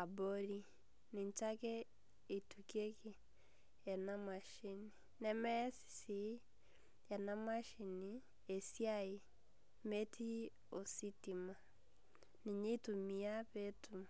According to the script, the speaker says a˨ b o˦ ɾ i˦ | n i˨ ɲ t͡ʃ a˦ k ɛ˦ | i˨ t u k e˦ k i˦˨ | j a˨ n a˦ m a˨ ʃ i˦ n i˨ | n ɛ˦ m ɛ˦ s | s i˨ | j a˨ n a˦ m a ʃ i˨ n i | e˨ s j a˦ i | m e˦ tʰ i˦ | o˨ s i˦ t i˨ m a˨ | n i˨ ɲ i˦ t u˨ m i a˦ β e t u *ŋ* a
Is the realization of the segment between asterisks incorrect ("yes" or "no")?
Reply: yes